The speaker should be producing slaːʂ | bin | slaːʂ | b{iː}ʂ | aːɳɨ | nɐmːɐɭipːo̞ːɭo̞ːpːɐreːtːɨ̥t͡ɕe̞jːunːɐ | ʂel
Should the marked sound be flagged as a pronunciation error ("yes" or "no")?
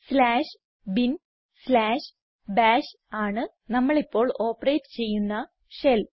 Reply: yes